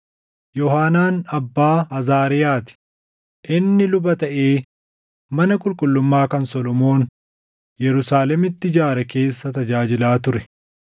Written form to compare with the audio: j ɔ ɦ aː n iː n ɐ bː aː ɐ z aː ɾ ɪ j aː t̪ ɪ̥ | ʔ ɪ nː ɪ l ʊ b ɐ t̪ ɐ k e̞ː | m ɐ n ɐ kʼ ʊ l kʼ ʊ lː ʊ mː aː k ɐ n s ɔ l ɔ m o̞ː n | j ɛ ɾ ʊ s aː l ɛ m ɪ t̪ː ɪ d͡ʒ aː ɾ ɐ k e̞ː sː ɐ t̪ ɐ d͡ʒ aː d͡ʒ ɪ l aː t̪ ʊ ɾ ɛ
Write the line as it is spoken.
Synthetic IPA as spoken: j ɔ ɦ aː n aː n ɐ bː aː ɐ z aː ɾ ɪ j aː t̪ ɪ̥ | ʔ ɪ nː ɪ l ʊ b ɐ t̪ ɐ ʔ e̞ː | m ɐ n ɐ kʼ ʊ l kʼ ʊ lː ʊ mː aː k ɐ n s ɔ l ɔ m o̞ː n | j ɛ ɾ ʊ s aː l ɛ m ɪ t̪ː ɪ d͡ʒ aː ɾ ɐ k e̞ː sː ɐ t̪ ɐ d͡ʒ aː d͡ʒ ɪ l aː t̪ ʊ ɾ ɛ